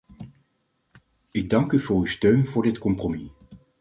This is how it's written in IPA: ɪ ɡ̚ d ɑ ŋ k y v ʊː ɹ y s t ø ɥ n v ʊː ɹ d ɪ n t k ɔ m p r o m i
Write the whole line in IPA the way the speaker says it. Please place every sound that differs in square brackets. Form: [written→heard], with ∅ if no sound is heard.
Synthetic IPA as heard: ɪ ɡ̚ d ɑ ŋ k y v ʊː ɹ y s t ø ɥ n v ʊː ɹ d ɪ [n→∅] t k ɔ m p r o m i